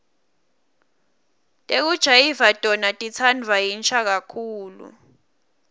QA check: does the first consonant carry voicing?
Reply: no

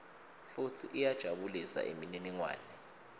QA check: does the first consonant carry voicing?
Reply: no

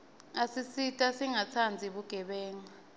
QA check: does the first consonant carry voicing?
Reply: no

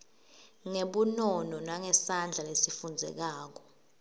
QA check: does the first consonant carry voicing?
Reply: yes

